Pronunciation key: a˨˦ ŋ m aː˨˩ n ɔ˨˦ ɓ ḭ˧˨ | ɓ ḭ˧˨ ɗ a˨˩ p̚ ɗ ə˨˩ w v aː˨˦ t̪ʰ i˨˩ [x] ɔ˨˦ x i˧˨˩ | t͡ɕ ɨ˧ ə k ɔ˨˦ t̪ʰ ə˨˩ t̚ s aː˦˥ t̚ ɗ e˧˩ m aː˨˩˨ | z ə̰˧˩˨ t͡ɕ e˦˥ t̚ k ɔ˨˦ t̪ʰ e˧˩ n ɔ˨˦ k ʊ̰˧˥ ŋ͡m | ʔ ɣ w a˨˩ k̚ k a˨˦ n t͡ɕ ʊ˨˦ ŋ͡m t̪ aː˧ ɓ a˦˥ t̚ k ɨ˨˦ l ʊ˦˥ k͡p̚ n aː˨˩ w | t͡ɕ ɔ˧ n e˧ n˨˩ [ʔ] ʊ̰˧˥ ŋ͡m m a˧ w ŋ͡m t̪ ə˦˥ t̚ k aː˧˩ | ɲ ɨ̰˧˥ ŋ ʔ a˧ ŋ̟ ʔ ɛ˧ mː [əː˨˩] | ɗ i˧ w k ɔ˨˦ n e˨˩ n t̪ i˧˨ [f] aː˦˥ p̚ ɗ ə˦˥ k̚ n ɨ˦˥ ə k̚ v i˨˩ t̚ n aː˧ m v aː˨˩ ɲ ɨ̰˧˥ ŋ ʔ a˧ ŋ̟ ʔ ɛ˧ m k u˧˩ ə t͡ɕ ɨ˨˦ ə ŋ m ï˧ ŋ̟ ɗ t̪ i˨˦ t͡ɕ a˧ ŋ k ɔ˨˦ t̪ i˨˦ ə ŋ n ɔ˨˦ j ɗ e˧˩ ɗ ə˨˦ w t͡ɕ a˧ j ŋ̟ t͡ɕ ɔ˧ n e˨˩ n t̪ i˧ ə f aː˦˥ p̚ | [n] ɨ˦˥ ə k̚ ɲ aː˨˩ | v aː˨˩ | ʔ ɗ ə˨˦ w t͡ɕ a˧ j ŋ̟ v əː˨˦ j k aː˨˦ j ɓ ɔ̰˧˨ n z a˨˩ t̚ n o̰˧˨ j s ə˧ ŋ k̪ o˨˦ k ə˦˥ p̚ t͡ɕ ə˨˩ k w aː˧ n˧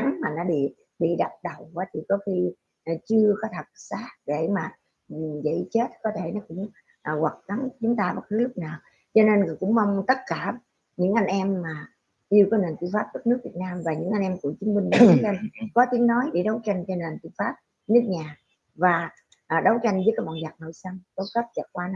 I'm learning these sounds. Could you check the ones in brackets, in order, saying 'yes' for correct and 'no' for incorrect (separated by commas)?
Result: no, no, no, yes, yes